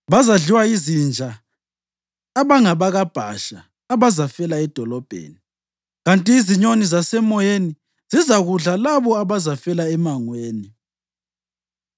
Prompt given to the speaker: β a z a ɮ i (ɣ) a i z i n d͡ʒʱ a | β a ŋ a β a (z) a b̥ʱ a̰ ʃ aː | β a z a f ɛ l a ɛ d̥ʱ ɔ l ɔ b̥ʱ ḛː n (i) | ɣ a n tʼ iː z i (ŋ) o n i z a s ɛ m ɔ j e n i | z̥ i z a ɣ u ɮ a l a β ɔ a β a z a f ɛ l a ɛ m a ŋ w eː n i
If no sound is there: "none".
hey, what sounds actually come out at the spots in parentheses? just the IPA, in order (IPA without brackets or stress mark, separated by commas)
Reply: w, ɣ, i, ɲ